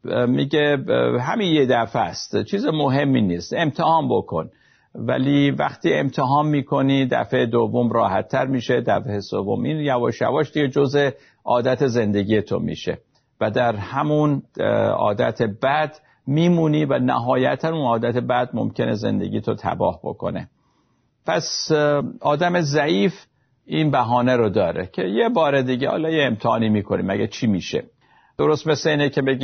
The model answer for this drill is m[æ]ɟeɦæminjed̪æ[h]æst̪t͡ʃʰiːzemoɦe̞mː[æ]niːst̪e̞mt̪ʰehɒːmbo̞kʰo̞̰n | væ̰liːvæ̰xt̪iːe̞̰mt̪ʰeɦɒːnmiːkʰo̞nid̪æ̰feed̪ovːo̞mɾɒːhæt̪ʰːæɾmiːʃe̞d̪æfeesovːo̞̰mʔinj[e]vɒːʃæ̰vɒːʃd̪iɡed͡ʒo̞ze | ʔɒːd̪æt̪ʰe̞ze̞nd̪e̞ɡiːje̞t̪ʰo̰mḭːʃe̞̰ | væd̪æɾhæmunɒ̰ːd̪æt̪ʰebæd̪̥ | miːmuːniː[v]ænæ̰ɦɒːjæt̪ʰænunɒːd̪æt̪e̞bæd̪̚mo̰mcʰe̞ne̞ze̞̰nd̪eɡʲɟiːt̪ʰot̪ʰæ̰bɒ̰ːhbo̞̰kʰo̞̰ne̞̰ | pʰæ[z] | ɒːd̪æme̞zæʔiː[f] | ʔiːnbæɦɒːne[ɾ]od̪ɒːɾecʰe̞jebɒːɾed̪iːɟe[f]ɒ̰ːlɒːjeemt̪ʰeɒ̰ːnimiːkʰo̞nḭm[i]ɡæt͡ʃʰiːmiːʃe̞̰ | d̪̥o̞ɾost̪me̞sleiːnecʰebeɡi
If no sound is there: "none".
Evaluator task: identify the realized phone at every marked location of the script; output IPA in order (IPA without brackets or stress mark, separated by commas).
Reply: i, f, i, æ, v, s, f, ɾ, h, æ